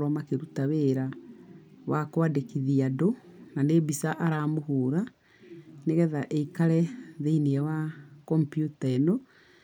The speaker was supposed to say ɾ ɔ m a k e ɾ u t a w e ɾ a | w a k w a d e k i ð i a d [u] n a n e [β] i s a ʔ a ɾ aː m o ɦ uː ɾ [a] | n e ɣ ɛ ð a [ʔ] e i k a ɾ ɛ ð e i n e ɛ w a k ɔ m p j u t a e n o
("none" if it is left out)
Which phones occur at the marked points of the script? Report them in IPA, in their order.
o, b, a, ʔ

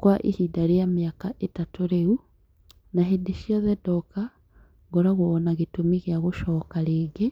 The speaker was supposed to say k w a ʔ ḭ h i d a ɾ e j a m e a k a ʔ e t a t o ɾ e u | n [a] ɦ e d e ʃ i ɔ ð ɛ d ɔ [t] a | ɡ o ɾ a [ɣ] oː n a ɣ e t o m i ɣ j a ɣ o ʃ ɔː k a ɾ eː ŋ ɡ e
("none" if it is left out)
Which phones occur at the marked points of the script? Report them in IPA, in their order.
a, k, ɣ

